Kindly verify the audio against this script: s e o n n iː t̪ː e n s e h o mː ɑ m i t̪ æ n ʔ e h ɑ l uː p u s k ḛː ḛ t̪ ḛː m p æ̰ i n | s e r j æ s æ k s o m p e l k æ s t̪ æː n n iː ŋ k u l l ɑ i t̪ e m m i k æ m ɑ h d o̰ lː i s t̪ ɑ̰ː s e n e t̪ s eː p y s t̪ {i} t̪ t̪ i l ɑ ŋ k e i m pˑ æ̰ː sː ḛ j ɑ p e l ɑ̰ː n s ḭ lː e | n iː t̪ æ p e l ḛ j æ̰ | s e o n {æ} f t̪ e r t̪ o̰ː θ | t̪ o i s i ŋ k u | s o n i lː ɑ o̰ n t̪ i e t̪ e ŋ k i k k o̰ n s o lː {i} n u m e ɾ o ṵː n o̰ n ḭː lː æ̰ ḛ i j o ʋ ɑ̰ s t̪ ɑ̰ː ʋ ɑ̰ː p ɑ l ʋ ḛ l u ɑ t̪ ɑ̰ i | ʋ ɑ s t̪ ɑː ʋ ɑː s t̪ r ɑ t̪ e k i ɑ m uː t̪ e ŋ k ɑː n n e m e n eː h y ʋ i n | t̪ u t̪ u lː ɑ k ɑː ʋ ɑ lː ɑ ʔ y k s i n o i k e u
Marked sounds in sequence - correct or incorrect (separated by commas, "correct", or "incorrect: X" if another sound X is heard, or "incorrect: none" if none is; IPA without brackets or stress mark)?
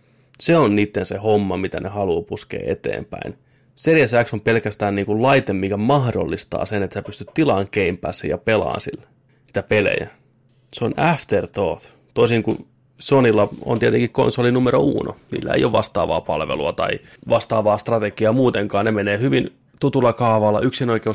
incorrect: y, correct, correct